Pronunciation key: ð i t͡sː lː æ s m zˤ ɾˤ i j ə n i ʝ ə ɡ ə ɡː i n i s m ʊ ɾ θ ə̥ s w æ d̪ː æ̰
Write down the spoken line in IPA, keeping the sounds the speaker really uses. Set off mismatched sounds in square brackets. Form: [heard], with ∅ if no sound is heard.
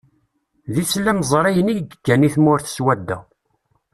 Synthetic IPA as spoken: ð i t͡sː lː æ [∅] m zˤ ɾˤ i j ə n i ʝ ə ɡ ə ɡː [æ] n i [θ] m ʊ ɾ θ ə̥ s w æ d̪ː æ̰